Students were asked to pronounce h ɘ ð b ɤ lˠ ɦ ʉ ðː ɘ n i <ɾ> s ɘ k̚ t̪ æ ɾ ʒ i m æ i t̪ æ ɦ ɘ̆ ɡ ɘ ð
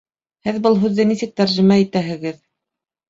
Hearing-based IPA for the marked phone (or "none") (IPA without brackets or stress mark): none